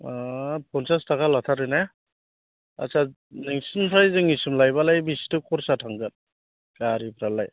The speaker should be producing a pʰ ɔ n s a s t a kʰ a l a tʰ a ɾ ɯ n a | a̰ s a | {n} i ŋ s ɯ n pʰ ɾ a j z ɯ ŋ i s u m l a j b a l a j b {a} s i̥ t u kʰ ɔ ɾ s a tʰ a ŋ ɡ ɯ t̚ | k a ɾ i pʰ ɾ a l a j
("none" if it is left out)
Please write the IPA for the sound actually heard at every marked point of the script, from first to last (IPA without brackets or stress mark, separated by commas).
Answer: n, i